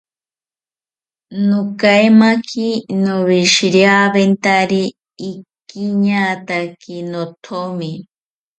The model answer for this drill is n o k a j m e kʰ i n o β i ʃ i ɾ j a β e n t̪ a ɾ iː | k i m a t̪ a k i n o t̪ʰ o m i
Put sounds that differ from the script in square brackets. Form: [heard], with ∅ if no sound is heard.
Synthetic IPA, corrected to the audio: n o k a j m [a] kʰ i n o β i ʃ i ɾ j a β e n t̪ a ɾ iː | k i [ɲ] a t̪ a k i n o t̪ʰ o m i

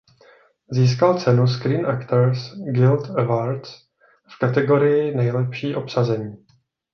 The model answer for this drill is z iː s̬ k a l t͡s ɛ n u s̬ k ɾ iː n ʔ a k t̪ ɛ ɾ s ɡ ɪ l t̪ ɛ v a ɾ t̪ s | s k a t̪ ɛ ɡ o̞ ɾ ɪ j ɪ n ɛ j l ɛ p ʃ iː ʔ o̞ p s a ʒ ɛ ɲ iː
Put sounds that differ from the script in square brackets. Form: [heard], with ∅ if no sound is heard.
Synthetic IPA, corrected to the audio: z iː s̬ k a l t͡s ɛ n u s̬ k ɾ iː n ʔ a k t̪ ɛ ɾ s ɡ ɪ l t̪ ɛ v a ɾ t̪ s | [f] k a t̪ ɛ ɡ o̞ ɾ ɪ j ɪ n ɛ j l ɛ p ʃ iː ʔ o̞ p s a [z] ɛ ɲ iː

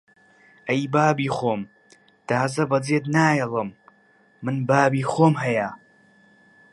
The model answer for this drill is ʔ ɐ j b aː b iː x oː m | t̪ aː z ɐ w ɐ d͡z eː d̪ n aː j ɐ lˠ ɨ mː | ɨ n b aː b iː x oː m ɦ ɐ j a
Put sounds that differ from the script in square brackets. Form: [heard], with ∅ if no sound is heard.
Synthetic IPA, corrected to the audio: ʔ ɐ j b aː b iː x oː m | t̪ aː z ɐ [b] ɐ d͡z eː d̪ n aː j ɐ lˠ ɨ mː | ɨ n b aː b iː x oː m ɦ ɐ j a

